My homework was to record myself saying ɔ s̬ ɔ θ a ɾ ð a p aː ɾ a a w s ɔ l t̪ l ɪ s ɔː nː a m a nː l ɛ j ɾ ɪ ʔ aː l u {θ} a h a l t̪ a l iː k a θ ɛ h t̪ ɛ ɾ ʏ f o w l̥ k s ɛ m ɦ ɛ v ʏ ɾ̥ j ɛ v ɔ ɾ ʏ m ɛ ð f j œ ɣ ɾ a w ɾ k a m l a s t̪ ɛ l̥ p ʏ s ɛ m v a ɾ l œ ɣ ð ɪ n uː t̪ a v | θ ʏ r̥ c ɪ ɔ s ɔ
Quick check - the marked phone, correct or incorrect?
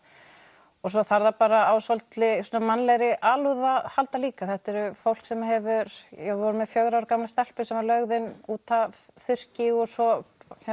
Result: incorrect